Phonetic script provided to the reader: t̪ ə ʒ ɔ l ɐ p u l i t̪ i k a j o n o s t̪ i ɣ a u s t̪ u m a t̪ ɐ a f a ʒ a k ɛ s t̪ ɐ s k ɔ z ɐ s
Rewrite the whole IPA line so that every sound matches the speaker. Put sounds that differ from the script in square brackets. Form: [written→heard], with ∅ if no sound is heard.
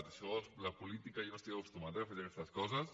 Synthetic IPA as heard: t̪ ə [ʒ→ʃ] ɔ l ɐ p u l i t̪ i k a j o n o s t̪ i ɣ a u s t̪ u m a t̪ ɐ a f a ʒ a k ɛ s t̪ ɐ s k ɔ z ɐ s